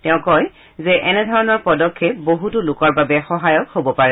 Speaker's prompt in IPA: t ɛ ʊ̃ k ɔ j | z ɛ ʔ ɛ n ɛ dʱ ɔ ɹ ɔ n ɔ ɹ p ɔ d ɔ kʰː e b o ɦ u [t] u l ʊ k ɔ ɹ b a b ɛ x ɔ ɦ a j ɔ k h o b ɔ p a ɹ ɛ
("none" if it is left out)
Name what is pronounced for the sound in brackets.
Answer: t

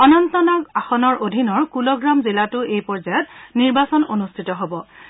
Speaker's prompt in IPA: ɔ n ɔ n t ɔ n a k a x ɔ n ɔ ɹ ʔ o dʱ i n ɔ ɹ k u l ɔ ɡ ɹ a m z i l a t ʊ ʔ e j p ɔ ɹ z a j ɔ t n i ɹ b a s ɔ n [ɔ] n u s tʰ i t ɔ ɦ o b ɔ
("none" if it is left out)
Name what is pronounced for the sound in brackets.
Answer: o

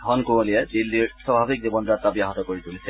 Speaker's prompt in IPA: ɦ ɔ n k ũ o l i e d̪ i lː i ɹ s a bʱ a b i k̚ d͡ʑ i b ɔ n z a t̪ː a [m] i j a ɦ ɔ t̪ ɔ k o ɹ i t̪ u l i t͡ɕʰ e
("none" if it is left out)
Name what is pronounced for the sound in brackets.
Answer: b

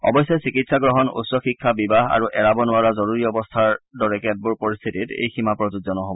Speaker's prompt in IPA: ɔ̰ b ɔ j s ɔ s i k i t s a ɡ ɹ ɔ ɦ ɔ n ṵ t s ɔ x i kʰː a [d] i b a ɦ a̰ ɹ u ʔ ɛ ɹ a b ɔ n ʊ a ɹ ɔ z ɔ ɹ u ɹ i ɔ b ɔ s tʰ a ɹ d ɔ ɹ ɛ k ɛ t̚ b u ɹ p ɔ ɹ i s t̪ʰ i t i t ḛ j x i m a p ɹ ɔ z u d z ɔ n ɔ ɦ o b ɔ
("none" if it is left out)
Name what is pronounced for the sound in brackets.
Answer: b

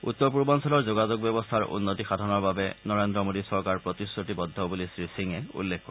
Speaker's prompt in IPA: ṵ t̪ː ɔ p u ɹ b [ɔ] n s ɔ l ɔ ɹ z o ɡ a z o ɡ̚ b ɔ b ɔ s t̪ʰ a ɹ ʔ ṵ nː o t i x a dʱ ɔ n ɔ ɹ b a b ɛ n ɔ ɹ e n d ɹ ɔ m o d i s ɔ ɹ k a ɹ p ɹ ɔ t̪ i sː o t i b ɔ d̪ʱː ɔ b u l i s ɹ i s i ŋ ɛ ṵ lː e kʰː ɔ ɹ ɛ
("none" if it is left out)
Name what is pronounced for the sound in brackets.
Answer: ɔ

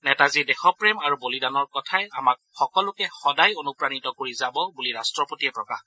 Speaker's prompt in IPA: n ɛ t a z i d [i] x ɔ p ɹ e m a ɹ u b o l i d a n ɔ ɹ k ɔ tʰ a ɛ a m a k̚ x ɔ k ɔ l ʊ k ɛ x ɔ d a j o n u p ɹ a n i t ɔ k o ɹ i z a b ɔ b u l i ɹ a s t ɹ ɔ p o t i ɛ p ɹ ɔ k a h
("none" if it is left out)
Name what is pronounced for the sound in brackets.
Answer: ɛ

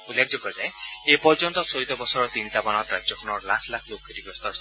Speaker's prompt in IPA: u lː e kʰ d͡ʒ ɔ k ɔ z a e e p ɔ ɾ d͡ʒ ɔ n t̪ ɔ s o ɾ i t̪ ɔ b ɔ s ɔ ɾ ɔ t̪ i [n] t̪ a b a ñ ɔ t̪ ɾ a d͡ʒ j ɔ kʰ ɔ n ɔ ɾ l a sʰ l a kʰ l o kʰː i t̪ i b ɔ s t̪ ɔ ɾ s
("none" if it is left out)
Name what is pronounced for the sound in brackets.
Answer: n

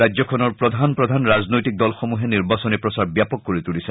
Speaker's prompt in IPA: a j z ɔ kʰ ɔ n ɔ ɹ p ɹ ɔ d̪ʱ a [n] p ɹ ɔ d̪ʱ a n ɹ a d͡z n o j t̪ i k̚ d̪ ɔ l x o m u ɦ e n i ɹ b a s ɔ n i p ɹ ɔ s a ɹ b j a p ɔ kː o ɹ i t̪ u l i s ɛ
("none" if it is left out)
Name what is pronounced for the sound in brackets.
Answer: n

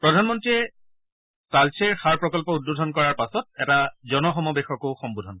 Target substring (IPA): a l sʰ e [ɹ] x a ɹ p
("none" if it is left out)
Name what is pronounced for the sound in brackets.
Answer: ɹ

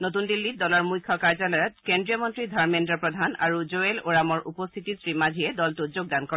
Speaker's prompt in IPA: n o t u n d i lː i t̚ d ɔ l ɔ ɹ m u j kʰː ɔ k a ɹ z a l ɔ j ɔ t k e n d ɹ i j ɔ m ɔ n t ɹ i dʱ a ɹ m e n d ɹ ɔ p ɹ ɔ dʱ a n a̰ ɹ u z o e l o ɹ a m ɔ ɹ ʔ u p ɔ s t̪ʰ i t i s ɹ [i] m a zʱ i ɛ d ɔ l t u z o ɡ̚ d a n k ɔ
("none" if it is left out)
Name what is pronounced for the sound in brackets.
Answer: i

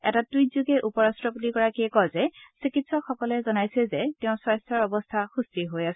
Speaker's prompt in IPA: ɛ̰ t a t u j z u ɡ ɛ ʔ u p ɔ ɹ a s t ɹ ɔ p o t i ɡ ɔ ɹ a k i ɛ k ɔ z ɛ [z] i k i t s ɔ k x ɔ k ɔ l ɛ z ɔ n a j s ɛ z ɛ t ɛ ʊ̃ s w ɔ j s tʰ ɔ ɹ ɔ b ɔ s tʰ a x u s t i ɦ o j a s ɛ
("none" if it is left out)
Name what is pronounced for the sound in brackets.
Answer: s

